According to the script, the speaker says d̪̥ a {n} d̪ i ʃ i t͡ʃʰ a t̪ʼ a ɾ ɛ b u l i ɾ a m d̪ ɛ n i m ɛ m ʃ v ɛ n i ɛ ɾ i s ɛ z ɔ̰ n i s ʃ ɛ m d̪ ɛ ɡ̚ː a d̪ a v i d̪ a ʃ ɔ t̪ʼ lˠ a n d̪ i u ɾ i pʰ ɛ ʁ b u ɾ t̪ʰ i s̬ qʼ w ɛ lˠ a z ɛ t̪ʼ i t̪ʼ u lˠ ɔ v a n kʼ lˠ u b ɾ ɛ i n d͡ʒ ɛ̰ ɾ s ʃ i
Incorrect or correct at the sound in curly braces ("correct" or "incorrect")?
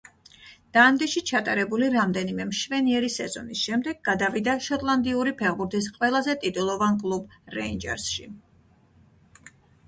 correct